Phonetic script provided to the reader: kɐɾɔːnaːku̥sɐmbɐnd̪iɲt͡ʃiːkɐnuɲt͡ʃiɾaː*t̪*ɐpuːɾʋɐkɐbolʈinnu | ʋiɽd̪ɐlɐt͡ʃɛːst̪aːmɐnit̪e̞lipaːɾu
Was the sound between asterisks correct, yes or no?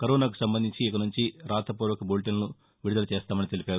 yes